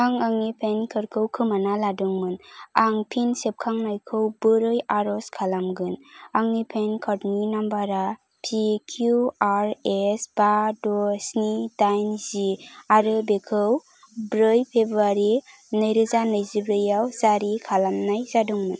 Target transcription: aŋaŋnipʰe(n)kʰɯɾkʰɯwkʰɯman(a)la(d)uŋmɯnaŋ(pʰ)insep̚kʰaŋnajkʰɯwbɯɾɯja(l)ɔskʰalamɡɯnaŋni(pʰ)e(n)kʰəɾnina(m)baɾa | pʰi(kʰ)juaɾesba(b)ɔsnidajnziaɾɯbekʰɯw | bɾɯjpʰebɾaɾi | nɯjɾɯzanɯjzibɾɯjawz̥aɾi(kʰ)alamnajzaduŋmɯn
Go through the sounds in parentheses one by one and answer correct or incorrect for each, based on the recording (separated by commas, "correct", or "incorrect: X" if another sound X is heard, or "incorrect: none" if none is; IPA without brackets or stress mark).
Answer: correct, correct, correct, correct, incorrect: ɾ, correct, correct, correct, correct, incorrect: d, correct